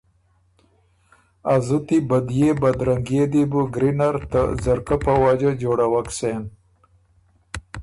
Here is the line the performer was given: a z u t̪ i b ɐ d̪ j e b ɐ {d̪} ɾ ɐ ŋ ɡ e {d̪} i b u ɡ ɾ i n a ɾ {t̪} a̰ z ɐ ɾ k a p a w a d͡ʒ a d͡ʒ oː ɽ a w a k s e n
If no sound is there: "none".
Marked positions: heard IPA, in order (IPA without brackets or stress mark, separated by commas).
d̪, d̪, t̪